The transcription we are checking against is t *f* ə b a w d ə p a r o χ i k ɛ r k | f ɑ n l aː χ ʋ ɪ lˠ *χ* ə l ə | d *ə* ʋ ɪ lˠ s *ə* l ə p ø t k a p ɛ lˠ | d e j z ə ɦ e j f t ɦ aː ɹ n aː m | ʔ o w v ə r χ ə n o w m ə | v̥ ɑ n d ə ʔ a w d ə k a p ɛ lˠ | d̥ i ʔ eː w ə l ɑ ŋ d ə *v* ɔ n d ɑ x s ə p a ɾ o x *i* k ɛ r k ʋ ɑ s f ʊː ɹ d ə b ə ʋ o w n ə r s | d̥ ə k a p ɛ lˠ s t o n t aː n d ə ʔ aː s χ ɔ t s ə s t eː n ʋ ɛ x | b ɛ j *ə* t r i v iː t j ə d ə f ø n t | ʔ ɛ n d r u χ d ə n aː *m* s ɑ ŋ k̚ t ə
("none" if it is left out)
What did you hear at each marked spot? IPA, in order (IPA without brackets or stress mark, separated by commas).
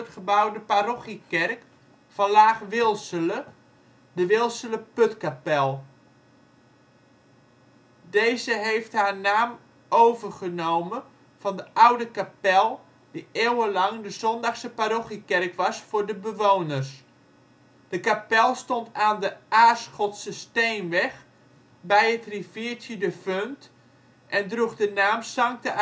χ, s, ə, ə, z, i, ə, m